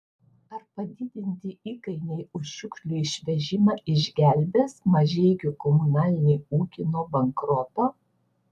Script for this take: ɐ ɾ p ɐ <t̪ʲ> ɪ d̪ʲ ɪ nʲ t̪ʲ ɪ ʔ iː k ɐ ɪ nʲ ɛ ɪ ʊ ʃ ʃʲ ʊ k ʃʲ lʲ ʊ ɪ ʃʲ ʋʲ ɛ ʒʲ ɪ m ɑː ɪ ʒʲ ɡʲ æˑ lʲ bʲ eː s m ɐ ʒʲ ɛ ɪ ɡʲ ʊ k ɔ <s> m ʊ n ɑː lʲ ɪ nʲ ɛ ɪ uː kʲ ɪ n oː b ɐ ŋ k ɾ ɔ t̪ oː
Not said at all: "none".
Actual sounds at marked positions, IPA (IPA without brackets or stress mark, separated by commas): d̪ʲ, none